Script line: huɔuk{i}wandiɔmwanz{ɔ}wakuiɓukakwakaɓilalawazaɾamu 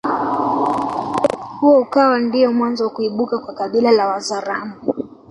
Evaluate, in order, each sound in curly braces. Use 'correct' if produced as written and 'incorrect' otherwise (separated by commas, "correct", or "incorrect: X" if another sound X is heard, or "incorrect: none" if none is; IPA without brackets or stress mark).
incorrect: a, correct